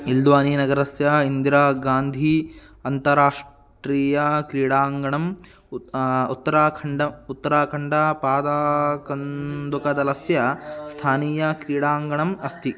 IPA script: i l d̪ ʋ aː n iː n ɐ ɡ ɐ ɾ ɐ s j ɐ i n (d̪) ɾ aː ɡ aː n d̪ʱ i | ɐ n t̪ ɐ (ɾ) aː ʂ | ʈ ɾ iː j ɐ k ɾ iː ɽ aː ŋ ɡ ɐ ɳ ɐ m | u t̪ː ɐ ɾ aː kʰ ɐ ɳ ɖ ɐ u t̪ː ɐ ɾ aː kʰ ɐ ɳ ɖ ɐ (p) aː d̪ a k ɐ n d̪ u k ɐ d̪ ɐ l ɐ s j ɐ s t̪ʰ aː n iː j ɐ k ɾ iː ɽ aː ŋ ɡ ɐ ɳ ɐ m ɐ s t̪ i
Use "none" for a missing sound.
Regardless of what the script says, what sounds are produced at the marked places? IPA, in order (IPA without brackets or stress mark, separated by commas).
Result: d̪, ɾ, p